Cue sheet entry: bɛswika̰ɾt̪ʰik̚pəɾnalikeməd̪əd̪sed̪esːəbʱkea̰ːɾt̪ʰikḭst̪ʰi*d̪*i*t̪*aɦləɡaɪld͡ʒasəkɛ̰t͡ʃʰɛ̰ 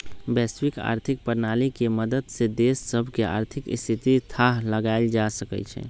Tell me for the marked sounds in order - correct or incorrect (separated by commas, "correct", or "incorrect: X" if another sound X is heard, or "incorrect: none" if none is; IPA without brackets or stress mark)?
incorrect: t̪, incorrect: t̪ʰ